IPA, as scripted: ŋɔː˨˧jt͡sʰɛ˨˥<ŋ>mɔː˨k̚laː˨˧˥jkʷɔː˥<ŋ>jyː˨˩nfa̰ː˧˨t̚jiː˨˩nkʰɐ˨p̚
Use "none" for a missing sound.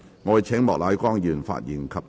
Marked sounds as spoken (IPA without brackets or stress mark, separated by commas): ŋ, ŋ